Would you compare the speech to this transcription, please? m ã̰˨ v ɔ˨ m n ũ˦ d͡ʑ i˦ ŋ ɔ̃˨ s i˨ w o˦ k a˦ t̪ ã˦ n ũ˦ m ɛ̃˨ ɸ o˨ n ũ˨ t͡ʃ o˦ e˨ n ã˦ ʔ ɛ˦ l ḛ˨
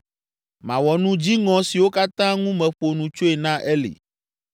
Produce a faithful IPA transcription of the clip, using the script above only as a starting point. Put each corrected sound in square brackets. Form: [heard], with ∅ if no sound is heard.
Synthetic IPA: m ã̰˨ [w] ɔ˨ [∅] n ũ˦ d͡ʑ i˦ ŋ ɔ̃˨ s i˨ w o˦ k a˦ t̪ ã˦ [ŋ] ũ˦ m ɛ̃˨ ɸ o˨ n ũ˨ t͡ʃ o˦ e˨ n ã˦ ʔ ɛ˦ l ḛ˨